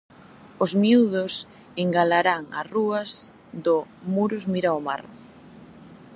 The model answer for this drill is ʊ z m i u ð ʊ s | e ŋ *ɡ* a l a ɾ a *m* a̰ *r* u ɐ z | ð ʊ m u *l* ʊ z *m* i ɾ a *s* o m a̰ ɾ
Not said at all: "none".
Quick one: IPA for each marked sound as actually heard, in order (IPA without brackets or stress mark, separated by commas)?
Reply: ɡ, ŋ, r, ɾ, m, none